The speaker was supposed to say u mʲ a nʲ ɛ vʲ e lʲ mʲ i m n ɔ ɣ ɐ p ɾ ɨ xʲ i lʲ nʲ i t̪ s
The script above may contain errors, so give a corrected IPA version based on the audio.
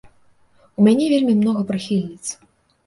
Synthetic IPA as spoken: u mʲ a nʲ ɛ vʲ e lʲ mʲ i m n ɔ ɣ ɐ p ɾ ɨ xʲ i lʲ nʲ i t̪ s